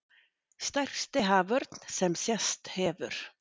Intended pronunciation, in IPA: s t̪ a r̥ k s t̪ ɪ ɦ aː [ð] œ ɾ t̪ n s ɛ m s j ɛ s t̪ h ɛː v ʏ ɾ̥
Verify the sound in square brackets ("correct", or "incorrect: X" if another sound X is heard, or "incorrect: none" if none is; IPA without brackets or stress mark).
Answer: incorrect: v